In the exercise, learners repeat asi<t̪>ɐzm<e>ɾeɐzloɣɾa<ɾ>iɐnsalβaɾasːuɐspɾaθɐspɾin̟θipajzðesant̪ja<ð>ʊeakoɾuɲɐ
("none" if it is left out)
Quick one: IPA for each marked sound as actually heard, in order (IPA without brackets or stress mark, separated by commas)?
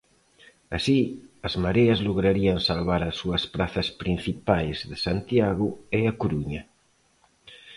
none, a, ɾ, ɣ